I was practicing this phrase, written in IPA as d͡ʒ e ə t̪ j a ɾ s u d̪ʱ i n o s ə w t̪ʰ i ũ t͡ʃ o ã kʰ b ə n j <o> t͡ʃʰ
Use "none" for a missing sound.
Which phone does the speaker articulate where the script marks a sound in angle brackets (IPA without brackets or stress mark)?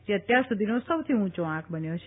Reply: o